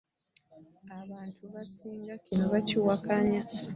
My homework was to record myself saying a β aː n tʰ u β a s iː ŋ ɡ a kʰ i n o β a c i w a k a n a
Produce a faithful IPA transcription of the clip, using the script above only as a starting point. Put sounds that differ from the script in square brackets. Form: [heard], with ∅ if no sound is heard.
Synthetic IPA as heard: a β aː n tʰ u β a s iː ŋ ɡ a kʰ i n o β a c i w a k a [ɲ] a